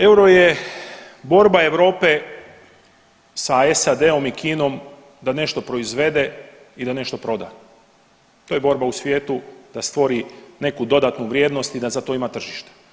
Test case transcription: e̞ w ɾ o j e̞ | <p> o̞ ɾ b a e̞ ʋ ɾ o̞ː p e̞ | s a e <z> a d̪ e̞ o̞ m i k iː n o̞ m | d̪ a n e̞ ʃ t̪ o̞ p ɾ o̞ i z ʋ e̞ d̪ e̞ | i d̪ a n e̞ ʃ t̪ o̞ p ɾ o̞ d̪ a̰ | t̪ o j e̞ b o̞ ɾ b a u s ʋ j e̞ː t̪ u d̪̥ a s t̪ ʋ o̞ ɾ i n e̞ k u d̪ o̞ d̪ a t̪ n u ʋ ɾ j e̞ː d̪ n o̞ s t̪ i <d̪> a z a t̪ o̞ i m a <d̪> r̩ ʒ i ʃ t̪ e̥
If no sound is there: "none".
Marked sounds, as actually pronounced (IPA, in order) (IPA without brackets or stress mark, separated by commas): b, s, d̪, t̪